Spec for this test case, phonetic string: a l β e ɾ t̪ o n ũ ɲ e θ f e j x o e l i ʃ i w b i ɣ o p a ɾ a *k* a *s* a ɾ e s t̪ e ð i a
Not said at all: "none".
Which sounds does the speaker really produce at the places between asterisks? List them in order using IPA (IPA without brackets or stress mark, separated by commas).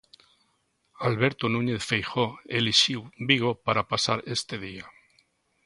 p, s